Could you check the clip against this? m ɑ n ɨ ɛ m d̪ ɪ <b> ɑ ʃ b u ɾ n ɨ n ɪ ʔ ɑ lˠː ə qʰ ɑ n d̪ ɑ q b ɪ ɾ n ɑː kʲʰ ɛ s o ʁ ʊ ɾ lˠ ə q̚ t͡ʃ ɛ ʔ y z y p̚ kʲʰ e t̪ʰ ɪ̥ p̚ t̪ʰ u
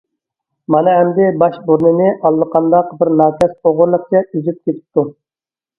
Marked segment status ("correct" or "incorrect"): correct